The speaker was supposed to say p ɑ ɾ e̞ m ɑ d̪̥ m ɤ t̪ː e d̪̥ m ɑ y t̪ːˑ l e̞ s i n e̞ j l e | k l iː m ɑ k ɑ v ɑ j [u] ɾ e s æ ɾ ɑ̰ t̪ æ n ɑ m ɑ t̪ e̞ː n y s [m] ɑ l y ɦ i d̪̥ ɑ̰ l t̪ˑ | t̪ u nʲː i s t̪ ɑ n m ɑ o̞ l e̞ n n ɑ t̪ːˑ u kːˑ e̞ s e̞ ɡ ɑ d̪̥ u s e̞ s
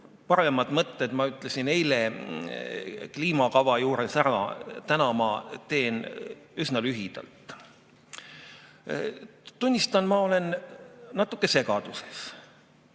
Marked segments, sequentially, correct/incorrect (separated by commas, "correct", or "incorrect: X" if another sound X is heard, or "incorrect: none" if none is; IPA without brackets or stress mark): incorrect: uː, incorrect: n